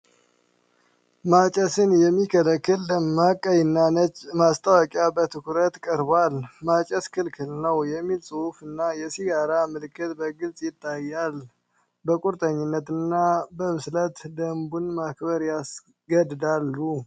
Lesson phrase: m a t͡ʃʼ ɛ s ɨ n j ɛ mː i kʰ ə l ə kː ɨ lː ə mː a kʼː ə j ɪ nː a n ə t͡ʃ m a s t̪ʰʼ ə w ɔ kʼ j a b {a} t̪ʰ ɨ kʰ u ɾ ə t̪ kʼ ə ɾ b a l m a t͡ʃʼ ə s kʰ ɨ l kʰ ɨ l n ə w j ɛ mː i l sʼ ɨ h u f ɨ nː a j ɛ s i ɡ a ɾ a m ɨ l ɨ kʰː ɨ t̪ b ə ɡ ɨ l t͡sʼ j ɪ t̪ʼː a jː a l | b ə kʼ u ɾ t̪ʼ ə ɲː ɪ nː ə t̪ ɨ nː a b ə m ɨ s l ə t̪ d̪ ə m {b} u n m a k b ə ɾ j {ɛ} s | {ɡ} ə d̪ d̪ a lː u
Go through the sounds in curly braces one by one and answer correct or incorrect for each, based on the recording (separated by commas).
incorrect, correct, incorrect, correct